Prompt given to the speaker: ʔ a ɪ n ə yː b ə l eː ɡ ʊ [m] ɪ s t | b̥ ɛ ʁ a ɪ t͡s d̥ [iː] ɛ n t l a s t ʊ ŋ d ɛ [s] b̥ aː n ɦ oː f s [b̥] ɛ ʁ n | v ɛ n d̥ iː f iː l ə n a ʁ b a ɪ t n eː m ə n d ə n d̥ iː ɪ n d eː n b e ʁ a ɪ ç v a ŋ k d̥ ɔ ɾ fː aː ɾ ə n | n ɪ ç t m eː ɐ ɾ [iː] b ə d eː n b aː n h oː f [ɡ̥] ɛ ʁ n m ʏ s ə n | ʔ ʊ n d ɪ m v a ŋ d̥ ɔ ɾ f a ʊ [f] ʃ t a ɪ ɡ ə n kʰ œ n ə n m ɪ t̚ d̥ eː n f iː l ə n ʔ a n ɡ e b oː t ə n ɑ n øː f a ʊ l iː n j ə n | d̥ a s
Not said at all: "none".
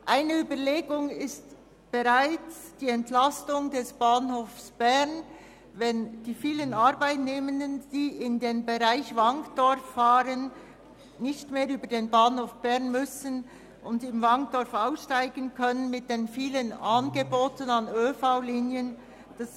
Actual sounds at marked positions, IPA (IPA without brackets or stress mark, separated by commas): ŋ, iː, s, b̥, yː, b̥, s